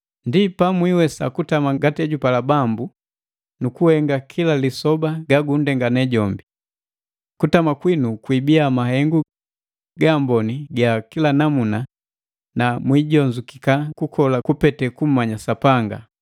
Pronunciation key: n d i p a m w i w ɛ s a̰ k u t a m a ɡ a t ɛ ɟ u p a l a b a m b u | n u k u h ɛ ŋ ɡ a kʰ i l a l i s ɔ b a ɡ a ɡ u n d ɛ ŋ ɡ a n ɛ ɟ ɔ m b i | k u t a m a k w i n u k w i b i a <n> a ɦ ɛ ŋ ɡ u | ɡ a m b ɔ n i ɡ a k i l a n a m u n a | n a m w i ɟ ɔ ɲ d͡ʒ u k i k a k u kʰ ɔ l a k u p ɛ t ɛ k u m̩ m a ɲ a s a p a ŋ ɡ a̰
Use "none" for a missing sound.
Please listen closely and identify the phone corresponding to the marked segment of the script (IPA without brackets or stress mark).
m